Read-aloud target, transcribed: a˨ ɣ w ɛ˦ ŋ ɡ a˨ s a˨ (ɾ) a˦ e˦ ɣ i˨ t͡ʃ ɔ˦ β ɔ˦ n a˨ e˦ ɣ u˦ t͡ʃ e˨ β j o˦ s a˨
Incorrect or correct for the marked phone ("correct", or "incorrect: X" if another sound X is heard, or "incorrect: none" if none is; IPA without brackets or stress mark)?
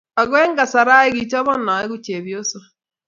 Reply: correct